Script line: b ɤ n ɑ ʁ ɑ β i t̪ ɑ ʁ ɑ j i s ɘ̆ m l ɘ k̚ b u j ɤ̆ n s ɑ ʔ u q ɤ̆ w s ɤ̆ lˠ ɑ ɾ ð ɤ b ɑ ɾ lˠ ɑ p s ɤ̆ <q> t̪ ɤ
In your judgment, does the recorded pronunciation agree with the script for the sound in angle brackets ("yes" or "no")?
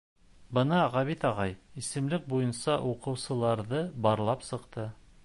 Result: yes